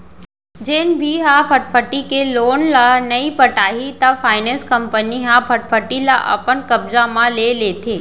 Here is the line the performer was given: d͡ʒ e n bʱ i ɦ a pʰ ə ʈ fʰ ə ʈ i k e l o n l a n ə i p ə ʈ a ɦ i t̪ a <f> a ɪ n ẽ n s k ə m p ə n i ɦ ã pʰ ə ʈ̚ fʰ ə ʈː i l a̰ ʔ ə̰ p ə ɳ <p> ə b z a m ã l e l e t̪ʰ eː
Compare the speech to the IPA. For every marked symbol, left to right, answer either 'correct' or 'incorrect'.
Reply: correct, incorrect: k

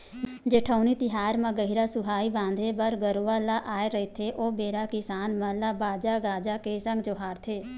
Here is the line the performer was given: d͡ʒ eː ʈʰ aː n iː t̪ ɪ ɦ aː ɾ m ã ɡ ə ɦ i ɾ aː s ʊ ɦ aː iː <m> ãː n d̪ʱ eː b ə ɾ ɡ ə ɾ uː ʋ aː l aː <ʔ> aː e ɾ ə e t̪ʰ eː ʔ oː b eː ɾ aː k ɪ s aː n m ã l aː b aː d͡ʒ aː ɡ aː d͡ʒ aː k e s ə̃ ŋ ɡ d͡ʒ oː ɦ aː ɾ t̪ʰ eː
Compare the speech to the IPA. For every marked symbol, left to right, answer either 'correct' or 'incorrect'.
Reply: incorrect: b, correct

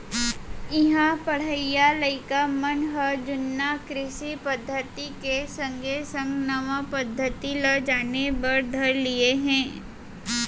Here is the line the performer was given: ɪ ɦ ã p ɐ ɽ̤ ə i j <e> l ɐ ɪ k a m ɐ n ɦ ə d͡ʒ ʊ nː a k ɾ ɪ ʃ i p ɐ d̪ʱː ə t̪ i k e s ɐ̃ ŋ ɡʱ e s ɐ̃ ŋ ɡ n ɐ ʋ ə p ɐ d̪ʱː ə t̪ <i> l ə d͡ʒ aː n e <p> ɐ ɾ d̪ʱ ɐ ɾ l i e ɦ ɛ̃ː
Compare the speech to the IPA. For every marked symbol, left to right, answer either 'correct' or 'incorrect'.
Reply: incorrect: a, correct, incorrect: b

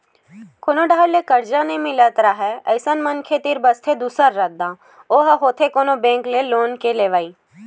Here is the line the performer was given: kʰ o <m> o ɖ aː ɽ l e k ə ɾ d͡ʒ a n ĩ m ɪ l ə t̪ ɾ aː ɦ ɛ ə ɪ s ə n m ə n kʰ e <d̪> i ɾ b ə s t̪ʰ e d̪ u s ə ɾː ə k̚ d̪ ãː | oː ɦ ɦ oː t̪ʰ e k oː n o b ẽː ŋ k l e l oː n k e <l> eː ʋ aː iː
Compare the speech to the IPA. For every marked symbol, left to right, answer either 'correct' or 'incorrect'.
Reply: incorrect: n, incorrect: t̪, correct

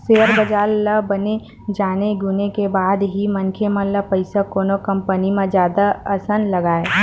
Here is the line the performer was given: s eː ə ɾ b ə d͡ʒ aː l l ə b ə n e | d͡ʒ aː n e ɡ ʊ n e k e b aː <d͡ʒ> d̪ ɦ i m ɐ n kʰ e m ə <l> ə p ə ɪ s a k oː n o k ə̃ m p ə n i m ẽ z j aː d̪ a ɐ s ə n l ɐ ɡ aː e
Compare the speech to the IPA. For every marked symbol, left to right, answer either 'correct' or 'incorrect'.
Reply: incorrect: none, correct

